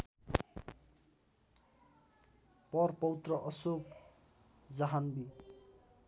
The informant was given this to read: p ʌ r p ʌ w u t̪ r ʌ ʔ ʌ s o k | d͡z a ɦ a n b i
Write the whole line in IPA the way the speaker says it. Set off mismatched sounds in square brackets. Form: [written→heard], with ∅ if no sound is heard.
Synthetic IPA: p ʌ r p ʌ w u t̪ r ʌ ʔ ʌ s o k | d͡z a ɦ a n b i